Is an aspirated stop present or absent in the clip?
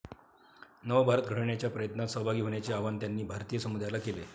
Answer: absent